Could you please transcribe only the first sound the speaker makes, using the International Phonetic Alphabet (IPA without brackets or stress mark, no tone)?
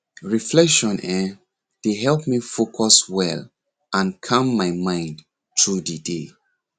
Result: ɹ